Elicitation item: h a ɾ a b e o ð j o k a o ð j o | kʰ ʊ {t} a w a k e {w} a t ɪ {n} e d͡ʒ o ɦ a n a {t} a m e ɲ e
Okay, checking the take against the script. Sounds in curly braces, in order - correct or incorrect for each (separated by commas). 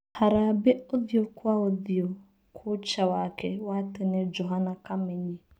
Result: incorrect, correct, correct, incorrect